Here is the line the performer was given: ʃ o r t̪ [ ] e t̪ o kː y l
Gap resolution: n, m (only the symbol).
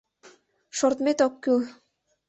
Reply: m